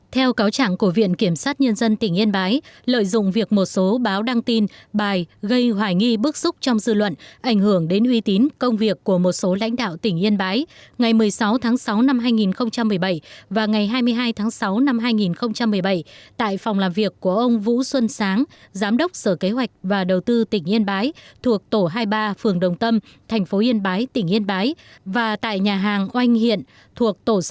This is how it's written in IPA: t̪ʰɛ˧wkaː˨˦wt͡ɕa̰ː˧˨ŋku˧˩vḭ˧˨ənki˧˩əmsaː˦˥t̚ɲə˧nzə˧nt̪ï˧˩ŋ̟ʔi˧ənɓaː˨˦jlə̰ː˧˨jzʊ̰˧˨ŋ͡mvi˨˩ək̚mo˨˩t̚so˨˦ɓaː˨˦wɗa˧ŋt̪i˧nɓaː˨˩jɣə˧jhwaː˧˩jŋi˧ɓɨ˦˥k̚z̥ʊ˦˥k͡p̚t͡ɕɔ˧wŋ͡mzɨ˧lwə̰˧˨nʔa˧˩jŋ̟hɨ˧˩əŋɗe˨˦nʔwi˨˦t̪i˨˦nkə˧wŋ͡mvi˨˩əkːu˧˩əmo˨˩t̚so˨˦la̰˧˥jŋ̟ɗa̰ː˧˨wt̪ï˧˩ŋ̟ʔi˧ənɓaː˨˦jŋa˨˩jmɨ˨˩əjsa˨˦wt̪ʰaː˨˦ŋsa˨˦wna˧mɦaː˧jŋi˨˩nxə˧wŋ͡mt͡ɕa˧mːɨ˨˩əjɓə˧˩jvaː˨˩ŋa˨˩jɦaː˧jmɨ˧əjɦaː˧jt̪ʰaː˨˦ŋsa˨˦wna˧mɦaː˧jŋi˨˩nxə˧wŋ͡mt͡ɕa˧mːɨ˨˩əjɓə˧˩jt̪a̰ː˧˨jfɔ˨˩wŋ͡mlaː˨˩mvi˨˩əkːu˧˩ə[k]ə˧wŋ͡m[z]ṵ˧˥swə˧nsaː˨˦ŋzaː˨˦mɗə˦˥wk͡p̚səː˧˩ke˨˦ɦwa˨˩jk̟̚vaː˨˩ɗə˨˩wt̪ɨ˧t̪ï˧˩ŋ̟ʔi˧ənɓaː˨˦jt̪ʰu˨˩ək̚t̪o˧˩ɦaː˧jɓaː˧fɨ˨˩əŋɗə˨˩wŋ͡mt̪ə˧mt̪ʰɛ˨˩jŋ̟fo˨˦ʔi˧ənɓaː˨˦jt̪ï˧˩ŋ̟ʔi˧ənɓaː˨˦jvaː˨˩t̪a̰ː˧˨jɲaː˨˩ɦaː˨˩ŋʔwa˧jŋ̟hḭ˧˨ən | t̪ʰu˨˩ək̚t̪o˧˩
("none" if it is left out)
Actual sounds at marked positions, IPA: ʔ, v

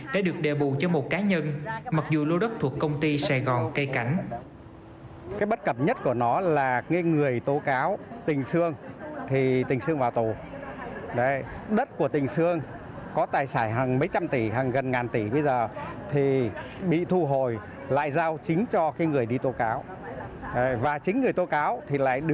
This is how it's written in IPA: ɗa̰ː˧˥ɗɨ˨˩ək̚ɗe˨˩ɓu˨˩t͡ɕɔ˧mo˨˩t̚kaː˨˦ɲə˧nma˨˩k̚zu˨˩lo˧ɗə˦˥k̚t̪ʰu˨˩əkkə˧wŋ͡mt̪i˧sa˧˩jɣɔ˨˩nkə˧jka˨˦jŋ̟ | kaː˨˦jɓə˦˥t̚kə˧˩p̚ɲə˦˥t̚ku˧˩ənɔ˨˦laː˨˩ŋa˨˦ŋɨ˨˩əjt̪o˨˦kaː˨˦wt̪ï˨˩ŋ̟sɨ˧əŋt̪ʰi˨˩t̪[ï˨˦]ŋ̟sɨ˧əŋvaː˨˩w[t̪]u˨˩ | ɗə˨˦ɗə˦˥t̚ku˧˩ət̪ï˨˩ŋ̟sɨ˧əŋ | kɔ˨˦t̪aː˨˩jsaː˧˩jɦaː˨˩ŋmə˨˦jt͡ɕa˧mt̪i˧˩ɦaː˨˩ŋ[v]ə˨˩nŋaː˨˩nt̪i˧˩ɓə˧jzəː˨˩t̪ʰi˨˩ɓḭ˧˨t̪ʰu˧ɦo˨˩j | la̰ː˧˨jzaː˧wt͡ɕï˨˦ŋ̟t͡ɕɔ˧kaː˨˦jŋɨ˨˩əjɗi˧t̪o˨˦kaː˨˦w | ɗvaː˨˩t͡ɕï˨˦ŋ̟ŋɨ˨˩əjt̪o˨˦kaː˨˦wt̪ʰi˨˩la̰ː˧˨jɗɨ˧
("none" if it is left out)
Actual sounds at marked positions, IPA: ï˨˩, t̪, ɣ

